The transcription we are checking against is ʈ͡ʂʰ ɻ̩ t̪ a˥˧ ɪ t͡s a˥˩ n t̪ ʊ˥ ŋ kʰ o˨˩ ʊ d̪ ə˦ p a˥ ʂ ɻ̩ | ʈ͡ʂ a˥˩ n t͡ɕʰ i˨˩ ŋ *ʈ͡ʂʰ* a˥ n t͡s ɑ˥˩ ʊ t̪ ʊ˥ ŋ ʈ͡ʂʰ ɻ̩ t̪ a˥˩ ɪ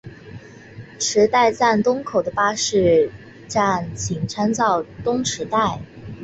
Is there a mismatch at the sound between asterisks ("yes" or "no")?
no